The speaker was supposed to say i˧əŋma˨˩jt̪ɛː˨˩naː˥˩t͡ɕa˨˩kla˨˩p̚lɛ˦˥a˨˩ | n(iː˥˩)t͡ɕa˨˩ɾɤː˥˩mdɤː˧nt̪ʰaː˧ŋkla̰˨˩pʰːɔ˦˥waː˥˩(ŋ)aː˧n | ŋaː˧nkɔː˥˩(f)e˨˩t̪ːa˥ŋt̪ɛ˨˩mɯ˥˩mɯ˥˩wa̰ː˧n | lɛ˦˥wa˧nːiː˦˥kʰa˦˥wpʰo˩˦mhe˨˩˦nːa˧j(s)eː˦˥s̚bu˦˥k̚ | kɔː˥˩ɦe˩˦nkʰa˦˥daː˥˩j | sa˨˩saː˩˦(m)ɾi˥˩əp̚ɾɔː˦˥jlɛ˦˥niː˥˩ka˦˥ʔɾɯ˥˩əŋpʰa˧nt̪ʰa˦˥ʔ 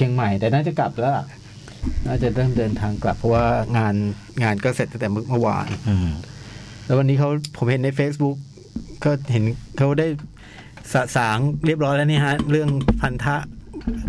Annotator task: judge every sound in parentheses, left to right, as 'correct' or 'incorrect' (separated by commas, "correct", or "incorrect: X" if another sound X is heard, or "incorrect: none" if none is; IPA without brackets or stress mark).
incorrect: aː˥˩, correct, incorrect: s, incorrect: f, incorrect: ŋ